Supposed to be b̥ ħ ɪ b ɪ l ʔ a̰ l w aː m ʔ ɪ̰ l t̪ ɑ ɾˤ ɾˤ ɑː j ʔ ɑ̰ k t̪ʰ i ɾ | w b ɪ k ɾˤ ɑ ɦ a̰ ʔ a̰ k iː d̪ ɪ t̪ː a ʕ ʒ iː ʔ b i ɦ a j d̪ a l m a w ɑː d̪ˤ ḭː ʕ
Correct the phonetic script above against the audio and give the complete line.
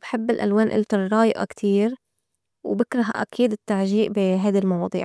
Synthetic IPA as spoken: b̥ ħ ɪ bː ɪ l ʔ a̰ l w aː n ʔ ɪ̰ l t̪ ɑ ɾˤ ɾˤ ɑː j ʔ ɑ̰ k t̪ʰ iː ɾ | w b ɪ k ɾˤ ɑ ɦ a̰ ʔ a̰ k iː d̪ ɪ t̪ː a ʕ ʒ iː ʔ b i ɦ a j d̪ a l m ɑ w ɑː d̪ˤ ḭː ʕ